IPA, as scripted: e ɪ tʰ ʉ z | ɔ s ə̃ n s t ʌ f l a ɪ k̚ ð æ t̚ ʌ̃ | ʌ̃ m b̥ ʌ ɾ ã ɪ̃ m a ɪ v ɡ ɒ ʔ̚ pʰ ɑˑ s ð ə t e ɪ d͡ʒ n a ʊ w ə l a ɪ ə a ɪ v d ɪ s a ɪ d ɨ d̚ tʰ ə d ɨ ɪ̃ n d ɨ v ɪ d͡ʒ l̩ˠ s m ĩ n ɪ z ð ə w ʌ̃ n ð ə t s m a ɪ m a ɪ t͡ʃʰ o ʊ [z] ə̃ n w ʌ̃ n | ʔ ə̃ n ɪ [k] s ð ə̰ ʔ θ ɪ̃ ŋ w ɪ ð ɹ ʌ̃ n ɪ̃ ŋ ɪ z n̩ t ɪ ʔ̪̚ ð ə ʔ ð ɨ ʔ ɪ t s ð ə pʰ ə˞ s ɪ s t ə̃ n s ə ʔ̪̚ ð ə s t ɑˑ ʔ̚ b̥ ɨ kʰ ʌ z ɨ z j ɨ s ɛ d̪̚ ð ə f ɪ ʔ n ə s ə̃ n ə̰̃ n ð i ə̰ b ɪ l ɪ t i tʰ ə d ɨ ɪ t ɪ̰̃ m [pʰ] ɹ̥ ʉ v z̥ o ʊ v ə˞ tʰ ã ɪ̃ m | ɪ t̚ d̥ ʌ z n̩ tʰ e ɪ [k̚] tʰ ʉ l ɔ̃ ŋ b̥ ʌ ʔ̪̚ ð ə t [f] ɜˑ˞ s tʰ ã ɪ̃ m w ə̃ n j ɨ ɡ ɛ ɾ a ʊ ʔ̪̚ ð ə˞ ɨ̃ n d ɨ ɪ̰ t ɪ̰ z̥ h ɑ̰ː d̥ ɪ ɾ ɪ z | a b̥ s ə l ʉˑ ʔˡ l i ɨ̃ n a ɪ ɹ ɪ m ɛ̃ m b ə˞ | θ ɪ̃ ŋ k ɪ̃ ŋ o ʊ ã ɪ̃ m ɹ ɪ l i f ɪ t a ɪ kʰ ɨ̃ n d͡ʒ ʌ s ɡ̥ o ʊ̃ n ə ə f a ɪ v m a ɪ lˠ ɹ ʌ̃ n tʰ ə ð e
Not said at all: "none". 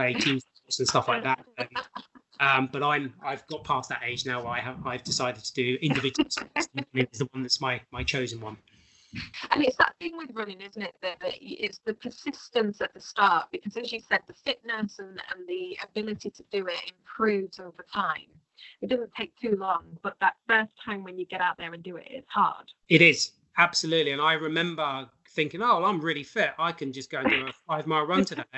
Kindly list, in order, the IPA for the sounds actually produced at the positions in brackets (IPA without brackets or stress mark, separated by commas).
z, t, pʰ, k̚, f